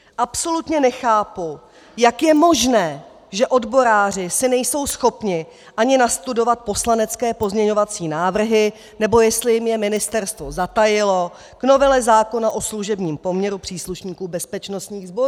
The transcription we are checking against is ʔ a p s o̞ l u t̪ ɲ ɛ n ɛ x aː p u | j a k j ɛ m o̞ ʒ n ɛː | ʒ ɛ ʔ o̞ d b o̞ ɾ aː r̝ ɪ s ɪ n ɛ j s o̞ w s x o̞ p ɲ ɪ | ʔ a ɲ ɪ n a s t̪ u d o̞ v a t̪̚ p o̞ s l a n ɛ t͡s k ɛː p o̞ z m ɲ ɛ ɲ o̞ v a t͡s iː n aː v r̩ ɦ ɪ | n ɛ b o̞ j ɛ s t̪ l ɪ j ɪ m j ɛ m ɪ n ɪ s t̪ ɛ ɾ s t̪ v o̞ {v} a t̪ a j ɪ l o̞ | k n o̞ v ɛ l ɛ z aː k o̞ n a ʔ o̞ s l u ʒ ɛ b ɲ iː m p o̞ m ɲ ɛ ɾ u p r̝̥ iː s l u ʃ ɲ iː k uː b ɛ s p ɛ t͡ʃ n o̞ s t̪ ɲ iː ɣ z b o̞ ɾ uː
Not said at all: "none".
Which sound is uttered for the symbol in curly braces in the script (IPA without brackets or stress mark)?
z